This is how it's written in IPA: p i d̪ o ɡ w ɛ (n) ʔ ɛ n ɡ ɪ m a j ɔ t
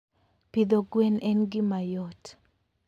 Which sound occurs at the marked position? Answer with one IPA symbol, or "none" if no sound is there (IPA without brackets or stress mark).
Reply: n